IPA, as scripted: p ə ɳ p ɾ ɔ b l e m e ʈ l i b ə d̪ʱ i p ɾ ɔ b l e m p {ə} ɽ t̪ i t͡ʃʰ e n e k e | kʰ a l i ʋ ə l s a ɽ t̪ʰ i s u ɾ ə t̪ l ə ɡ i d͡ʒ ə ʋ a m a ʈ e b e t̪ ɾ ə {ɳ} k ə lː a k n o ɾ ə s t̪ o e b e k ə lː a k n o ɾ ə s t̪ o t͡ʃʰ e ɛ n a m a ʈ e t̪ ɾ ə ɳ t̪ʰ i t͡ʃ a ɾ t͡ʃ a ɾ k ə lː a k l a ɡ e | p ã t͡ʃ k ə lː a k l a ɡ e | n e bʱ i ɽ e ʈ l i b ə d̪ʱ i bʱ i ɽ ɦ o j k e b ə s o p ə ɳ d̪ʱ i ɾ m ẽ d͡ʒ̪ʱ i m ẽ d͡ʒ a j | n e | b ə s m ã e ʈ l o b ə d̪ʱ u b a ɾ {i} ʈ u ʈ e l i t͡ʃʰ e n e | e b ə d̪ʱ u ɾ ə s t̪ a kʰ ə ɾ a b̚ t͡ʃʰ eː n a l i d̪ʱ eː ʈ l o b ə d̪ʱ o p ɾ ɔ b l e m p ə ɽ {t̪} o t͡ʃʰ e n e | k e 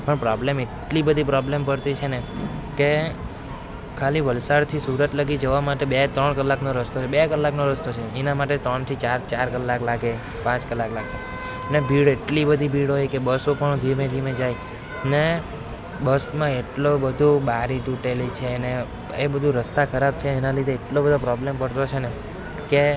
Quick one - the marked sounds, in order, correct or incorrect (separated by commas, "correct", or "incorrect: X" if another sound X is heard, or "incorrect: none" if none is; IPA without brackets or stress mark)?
correct, correct, correct, correct